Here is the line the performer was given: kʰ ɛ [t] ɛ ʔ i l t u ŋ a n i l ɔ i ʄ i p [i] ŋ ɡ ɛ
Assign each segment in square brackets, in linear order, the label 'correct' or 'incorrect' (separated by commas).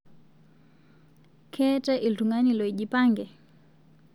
correct, incorrect